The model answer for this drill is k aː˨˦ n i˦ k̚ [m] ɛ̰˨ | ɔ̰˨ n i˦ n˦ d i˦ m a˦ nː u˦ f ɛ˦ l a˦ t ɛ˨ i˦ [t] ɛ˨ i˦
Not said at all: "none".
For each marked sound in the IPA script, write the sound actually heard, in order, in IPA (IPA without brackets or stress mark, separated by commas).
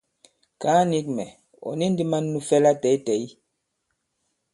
m, t